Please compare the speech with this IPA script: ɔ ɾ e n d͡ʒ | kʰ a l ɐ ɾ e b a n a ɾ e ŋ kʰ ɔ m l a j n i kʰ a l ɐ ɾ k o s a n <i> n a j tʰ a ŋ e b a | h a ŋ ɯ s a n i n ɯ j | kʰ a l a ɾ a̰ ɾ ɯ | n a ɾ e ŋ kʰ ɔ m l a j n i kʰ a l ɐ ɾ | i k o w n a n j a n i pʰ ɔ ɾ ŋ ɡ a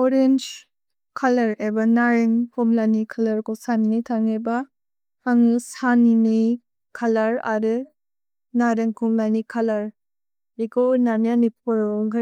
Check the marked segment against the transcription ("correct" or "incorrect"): correct